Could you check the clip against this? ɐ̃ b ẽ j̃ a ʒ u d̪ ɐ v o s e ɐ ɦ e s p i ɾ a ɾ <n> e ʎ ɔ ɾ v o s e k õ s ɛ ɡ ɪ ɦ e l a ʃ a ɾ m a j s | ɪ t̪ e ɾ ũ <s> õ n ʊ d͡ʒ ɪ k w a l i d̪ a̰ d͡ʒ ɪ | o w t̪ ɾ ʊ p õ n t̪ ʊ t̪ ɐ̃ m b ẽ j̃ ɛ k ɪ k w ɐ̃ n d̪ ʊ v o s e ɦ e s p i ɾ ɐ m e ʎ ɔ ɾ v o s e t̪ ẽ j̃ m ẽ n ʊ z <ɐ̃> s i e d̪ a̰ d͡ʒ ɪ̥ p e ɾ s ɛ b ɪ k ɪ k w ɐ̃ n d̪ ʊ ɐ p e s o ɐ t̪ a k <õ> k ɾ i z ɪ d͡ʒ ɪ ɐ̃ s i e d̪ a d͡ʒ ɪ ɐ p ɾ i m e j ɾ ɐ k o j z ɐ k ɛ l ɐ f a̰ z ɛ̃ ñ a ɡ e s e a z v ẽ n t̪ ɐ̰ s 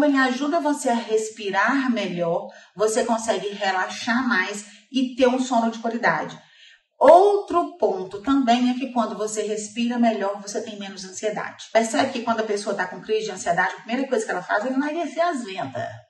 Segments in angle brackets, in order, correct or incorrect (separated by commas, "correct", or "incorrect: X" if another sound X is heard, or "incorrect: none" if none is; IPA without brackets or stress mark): incorrect: m, correct, correct, correct